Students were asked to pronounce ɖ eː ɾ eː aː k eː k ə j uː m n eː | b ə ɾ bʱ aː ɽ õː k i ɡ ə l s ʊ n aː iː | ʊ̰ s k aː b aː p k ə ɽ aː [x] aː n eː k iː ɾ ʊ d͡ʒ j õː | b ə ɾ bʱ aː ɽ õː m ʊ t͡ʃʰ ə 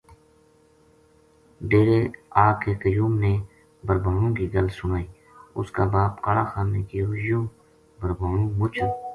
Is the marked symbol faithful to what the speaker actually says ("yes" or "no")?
yes